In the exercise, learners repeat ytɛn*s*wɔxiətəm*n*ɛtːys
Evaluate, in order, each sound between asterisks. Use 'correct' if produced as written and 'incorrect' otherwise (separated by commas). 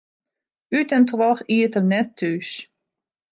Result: incorrect, correct